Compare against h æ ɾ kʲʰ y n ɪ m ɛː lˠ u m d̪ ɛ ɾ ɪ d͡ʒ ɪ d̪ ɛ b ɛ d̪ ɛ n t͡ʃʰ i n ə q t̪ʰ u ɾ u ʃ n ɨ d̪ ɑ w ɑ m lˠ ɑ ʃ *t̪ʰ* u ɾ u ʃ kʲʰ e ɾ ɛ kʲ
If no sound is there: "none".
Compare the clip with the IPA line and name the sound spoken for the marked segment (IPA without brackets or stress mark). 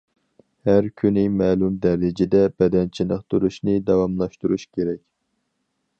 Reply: t̪